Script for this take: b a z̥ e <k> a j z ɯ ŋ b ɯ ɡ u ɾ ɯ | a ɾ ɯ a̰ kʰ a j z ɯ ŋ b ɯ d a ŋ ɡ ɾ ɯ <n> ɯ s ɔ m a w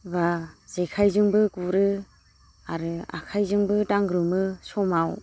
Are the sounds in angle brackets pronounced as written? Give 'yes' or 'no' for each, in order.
no, no

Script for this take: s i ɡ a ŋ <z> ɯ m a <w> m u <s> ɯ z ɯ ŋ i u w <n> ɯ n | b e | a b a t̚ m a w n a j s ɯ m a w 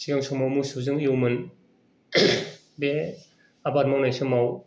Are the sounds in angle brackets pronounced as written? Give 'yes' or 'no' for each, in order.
no, yes, yes, no

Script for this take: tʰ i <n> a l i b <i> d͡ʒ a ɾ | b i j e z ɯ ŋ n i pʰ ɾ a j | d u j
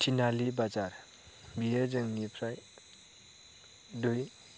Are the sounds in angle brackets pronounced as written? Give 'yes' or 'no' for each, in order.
yes, no

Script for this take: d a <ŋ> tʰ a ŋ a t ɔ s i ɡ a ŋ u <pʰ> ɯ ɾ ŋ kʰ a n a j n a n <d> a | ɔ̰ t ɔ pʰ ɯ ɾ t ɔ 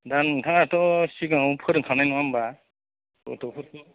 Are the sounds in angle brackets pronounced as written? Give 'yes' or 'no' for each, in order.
no, yes, no

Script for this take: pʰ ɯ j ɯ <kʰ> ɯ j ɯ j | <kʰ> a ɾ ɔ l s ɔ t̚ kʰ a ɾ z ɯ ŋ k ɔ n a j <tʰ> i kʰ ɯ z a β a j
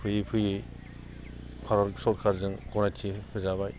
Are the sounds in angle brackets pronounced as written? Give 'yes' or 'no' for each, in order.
no, no, yes

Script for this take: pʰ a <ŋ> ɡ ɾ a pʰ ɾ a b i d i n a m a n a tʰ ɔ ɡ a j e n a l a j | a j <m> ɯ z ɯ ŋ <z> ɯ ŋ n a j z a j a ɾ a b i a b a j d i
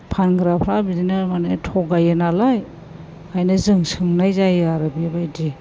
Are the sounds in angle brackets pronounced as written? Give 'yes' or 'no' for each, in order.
no, no, no

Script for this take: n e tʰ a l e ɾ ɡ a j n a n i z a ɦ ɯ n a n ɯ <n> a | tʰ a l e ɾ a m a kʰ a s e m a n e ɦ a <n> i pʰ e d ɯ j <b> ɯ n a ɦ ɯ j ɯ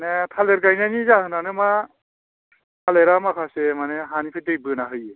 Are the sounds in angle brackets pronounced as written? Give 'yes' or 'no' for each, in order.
no, yes, yes

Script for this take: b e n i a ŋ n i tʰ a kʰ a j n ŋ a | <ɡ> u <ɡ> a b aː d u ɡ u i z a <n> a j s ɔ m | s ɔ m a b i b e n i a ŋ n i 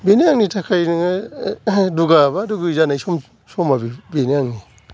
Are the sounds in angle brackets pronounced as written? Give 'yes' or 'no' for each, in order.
no, yes, yes

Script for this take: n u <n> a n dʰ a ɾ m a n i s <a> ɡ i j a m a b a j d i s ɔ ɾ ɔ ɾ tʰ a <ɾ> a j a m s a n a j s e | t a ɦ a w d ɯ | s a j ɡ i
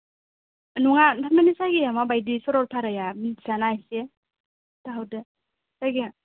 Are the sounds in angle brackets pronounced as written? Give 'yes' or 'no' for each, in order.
no, yes, yes

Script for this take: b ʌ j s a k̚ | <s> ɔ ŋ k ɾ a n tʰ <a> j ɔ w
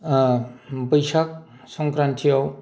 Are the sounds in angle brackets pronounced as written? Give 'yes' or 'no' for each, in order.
yes, no

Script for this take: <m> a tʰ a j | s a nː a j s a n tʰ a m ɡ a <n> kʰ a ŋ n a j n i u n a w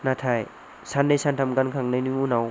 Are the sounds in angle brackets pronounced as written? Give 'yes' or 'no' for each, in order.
no, yes

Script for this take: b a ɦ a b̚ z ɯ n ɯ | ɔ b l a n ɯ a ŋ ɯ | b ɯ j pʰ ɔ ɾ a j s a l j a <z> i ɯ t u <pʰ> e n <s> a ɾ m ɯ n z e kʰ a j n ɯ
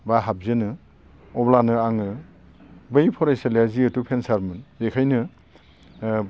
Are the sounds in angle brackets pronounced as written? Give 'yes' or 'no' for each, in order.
yes, yes, yes

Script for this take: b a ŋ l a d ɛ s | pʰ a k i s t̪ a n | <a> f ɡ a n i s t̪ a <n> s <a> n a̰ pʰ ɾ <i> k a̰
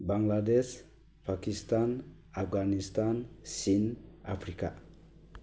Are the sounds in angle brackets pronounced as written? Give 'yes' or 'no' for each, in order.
yes, yes, no, yes

